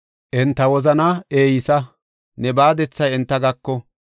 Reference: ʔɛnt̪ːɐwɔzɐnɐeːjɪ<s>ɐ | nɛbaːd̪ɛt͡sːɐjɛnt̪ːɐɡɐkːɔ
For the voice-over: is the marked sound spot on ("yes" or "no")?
yes